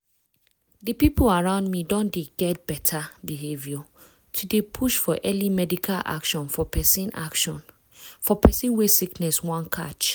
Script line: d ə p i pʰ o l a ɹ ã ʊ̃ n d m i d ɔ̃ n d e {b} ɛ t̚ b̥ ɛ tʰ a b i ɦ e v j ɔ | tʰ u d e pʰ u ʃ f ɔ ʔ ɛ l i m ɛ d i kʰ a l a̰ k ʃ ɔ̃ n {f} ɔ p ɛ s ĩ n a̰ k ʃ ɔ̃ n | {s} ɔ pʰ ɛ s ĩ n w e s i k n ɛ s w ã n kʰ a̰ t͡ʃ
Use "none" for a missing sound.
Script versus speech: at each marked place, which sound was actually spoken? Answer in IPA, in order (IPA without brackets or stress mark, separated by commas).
ɡ, f, f